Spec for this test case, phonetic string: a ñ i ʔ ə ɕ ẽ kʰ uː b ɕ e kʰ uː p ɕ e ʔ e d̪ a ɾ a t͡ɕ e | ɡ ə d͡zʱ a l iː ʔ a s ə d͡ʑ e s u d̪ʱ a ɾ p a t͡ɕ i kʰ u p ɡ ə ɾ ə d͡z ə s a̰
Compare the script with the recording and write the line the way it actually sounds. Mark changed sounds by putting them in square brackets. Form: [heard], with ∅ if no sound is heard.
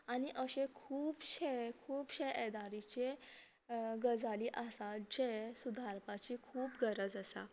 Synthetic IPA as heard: a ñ i ʔ ə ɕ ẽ kʰ uː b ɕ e kʰ uː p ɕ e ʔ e d̪ a ɾ [i] t͡ɕ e | ɡ ə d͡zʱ a l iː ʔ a s [a] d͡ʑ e s u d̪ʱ a ɾ p a t͡ɕ i kʰ [uː] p ɡ ə ɾ ə d͡z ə s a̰